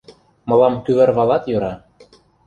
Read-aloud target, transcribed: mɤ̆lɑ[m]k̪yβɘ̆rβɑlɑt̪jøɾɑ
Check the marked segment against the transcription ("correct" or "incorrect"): correct